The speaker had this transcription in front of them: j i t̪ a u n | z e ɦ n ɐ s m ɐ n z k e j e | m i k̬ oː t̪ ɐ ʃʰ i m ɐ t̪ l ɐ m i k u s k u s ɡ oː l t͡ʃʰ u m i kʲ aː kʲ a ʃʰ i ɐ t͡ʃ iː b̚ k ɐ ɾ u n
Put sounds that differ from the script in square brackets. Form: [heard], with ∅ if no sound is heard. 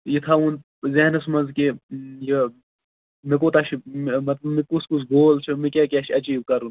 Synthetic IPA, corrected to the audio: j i [t̪ʰ] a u n | z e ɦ n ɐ s m ɐ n z k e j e | m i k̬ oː t̪ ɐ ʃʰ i m ɐ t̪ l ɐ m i k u s k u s ɡ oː l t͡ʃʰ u m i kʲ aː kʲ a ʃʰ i ɐ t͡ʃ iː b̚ k ɐ ɾ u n